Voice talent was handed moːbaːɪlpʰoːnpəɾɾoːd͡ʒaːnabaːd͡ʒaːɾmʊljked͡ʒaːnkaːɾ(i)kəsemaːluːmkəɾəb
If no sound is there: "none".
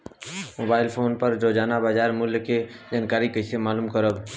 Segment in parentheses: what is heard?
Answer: i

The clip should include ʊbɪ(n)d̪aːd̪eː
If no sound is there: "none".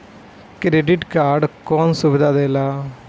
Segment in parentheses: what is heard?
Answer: none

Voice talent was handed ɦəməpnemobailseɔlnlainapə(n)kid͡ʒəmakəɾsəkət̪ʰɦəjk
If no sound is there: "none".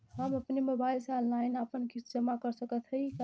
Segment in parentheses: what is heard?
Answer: n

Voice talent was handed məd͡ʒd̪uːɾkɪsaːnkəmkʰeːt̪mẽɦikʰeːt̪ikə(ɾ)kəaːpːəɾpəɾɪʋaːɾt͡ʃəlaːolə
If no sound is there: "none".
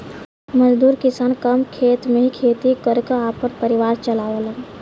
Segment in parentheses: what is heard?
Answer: ɾ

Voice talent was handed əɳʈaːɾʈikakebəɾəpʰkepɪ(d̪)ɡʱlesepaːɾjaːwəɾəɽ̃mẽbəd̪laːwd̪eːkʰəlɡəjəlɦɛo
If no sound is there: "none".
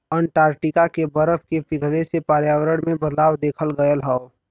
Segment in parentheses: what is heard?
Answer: none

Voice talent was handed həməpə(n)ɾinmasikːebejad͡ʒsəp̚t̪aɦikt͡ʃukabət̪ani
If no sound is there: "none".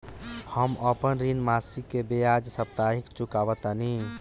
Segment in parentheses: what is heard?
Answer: n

